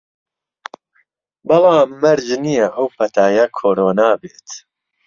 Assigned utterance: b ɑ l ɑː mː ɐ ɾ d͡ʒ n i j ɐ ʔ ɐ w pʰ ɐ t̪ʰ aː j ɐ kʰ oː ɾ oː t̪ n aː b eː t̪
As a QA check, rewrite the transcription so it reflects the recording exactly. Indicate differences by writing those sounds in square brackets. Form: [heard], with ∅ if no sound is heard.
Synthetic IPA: b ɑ l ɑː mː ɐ ɾ d͡ʒ n i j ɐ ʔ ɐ w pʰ ɐ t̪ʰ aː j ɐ kʰ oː ɾ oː [∅] n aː b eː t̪